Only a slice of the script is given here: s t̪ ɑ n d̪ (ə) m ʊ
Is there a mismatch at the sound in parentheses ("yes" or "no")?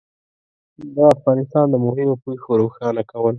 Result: no